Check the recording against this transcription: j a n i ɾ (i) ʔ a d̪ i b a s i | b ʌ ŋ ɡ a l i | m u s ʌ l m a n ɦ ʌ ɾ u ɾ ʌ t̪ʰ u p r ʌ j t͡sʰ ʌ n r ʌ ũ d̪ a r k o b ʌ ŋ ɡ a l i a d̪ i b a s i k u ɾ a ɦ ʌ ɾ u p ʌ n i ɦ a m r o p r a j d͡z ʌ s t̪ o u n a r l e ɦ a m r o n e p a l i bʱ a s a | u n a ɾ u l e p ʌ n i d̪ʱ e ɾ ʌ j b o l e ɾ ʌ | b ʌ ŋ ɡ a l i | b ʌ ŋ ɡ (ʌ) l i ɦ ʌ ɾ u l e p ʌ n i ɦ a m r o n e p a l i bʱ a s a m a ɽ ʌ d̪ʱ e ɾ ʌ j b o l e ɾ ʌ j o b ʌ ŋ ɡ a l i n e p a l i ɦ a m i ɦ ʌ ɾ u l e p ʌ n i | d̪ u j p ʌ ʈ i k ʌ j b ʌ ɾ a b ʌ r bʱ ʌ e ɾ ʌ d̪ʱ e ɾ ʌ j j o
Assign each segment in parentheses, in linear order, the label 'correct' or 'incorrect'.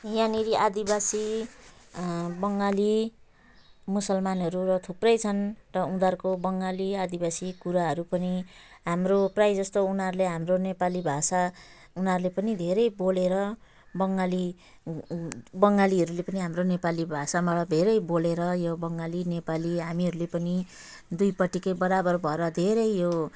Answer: correct, incorrect

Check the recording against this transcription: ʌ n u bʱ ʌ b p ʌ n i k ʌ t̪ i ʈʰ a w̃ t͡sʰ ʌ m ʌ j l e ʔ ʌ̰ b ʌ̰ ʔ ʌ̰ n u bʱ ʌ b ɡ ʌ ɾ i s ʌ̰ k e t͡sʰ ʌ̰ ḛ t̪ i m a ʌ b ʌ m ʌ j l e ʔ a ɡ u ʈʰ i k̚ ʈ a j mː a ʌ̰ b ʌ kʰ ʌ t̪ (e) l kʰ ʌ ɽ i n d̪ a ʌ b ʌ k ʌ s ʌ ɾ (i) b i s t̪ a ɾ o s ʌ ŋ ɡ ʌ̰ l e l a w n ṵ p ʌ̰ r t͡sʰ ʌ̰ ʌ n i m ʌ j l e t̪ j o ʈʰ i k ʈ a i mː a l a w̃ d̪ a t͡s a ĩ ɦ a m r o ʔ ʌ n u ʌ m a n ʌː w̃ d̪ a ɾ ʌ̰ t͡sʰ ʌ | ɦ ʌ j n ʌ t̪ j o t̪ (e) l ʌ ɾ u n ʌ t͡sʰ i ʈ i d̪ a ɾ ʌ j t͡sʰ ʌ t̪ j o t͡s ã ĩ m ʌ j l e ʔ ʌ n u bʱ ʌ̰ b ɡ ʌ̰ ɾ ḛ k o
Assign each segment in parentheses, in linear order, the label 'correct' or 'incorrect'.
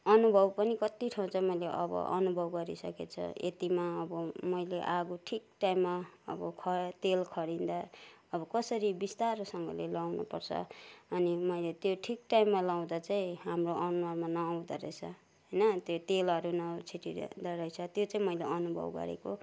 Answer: correct, correct, correct

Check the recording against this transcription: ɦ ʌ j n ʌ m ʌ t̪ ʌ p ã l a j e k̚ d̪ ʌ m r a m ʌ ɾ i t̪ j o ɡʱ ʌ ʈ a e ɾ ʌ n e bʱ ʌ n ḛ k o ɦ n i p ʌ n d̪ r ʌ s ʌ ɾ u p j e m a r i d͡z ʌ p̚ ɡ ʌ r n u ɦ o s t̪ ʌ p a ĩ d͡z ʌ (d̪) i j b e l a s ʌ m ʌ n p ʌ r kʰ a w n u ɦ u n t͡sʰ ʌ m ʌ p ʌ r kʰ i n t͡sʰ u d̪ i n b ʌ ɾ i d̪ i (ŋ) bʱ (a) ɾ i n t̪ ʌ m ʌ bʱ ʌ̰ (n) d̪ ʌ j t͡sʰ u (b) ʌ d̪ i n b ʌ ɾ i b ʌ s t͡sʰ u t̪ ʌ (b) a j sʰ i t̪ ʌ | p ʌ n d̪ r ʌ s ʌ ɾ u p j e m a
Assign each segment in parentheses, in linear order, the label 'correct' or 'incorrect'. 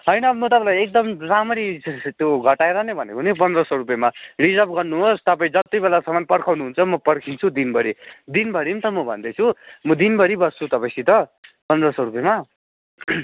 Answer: incorrect, incorrect, incorrect, correct, incorrect, incorrect

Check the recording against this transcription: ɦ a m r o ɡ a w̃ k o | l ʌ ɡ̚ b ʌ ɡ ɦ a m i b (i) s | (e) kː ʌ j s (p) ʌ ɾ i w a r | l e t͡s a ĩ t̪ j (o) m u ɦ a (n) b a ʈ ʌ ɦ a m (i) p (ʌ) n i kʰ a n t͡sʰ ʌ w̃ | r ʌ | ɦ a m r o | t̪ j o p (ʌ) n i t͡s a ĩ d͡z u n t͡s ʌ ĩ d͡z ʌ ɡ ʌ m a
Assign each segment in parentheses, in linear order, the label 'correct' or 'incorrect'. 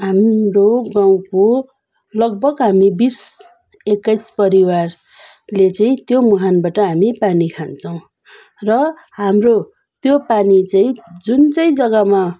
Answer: correct, correct, correct, correct, correct, correct, incorrect, incorrect

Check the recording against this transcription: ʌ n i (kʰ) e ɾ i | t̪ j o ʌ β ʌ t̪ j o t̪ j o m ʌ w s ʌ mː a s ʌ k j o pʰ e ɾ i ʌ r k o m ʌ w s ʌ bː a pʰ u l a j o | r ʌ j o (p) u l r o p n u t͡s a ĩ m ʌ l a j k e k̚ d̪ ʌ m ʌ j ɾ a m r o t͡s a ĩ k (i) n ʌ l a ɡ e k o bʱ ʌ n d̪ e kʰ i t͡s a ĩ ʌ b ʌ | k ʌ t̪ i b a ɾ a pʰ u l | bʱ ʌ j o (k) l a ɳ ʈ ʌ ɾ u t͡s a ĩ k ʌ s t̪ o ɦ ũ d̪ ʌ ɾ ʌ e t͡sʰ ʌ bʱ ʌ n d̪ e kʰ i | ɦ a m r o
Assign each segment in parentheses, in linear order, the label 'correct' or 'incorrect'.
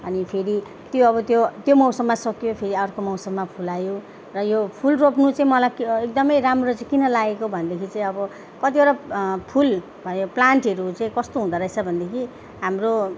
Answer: incorrect, incorrect, correct, incorrect

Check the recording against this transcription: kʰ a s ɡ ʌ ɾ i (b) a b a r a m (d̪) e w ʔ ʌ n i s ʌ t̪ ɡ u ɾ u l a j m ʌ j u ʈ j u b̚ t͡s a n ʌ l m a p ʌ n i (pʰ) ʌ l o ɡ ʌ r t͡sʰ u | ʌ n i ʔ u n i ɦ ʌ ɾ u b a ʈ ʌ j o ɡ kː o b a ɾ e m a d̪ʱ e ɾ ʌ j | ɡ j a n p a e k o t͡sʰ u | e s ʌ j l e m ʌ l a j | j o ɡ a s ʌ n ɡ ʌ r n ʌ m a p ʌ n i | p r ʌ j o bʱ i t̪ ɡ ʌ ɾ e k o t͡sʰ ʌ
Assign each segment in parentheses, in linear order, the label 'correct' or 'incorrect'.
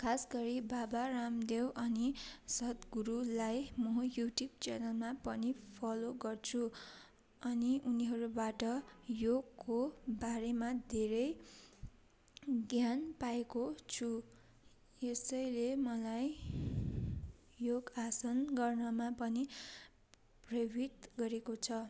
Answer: correct, correct, correct

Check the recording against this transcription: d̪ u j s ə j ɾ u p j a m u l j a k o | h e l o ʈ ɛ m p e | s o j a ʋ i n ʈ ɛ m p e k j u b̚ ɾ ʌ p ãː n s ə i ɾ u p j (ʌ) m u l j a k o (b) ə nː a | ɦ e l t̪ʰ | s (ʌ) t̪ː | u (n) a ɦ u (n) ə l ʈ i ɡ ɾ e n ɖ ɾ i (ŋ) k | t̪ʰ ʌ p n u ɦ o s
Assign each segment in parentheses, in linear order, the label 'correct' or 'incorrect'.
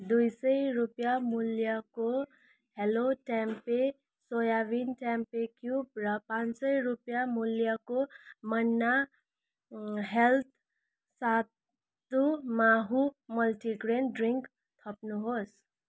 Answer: incorrect, incorrect, incorrect, incorrect, incorrect, correct

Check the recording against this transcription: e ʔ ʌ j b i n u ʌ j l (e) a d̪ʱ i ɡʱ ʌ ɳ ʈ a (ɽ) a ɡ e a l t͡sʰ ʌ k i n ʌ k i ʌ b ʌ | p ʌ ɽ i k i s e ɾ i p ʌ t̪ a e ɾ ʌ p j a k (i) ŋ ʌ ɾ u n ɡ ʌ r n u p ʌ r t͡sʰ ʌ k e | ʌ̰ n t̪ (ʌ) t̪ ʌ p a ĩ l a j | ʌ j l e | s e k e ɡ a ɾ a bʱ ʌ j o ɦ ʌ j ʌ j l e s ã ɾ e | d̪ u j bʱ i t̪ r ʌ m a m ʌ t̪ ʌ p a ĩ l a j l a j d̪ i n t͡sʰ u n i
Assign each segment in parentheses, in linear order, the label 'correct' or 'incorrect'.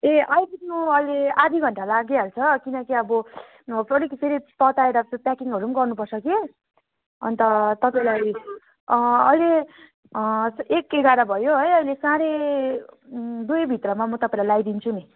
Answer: correct, incorrect, correct, correct

